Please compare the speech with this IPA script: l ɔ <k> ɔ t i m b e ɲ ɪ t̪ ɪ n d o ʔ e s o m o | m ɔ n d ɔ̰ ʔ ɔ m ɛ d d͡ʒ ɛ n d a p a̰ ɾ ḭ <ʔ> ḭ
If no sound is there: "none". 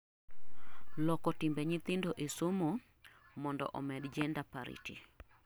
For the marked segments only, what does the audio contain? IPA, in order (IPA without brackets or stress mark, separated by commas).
k, t